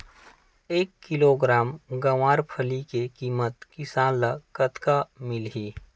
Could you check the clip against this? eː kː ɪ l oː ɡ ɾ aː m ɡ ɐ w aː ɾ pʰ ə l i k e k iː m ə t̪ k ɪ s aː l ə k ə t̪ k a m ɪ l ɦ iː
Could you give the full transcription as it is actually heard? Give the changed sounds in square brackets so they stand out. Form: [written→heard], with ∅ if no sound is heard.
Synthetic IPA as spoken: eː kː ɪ l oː ɡ ɾ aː m ɡ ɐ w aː ɾ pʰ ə l i k e k iː m ə t̪ k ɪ s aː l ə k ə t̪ k a m ɪ l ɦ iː